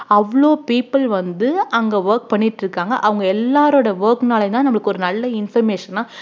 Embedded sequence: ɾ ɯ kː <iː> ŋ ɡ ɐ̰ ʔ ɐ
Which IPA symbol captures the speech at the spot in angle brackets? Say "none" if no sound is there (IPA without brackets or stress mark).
aː